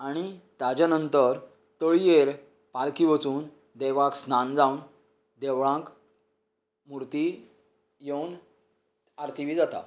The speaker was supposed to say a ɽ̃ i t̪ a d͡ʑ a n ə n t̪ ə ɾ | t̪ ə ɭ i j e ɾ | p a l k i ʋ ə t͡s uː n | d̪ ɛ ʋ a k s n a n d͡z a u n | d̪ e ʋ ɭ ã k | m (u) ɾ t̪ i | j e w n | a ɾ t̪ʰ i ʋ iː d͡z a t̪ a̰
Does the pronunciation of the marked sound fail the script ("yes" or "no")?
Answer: no